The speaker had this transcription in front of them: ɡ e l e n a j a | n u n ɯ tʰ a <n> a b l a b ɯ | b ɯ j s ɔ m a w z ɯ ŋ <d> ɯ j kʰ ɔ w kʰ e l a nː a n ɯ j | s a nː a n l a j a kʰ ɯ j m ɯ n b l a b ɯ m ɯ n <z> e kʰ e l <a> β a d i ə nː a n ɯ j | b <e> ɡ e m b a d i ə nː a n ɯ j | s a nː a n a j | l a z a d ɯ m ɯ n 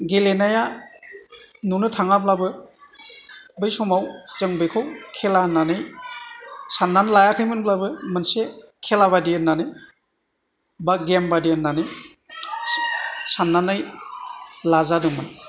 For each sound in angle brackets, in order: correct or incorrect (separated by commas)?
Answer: incorrect, incorrect, incorrect, correct, incorrect